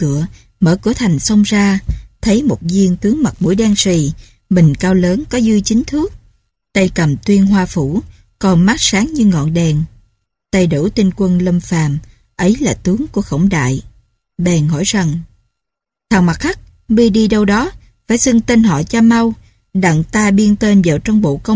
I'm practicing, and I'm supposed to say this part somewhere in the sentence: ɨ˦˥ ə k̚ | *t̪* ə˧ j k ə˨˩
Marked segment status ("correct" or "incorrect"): correct